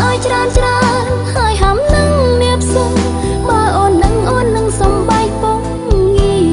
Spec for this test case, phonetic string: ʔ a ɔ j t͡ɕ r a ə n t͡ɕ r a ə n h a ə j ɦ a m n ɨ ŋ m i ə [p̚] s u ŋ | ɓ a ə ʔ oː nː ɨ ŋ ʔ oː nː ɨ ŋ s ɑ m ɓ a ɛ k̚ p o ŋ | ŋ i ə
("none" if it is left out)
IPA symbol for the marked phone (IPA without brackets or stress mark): p̚